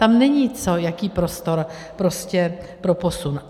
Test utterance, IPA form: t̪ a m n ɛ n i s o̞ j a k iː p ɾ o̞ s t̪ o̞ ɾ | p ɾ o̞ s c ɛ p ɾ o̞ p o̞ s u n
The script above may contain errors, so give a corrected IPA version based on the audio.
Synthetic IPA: t̪ a m n ɛ ɲ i t͡s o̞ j a k iː p ɾ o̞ s t̪ o̞ ɾ | p ɾ o̞ s c ɛ p ɾ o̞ p o̞ s u n